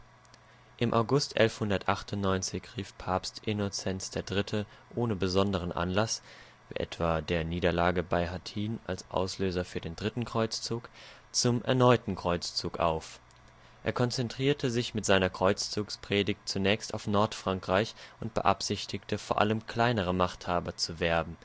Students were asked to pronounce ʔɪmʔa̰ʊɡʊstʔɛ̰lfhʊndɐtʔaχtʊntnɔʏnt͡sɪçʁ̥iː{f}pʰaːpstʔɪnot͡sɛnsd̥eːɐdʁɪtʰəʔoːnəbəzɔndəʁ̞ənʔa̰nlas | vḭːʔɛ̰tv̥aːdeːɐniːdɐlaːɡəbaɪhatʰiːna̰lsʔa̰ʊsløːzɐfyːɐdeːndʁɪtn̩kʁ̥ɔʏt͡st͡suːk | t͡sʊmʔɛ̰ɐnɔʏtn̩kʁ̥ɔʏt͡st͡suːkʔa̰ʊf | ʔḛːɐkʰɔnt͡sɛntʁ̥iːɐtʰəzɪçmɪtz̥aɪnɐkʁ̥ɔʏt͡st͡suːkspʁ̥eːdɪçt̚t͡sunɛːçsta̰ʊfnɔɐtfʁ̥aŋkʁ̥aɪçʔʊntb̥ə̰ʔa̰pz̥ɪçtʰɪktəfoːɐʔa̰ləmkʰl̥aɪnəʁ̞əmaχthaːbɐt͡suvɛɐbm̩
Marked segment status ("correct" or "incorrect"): correct